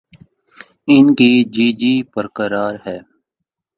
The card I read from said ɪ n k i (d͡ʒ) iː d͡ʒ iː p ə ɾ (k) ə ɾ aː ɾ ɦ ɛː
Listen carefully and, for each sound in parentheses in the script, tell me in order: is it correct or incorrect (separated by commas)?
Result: correct, correct